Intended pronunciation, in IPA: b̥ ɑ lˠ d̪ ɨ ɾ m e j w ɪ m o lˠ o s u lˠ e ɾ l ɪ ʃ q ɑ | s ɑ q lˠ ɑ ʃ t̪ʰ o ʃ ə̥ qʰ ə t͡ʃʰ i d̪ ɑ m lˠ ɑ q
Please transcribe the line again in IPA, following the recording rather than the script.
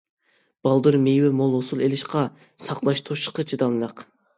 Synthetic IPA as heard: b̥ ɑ lˠ d̪ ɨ ɾ m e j w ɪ m o lˠ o s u lˠ e l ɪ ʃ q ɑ | s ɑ q lˠ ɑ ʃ t̪ʰ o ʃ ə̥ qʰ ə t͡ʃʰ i d̪ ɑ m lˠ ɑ q